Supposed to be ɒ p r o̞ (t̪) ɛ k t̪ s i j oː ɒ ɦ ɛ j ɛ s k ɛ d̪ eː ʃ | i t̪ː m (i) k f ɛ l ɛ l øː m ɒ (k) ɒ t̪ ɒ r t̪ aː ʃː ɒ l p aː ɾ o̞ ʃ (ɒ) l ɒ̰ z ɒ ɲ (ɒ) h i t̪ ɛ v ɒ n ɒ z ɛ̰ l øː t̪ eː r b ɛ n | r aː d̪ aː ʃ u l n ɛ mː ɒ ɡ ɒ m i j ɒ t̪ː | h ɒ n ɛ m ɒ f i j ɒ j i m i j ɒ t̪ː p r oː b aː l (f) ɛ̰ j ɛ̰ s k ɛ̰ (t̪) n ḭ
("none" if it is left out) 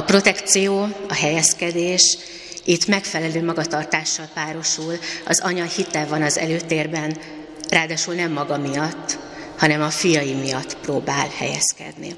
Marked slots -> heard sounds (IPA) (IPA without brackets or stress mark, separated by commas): t̪, ɛ, ɡ, u, ɒ, h, d̪